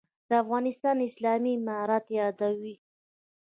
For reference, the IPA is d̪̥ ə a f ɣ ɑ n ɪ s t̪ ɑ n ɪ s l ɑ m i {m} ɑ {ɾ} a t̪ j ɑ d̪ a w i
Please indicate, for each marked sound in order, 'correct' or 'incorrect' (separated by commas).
correct, correct